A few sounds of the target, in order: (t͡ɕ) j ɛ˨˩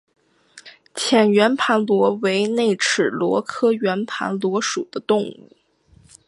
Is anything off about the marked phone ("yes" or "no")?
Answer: yes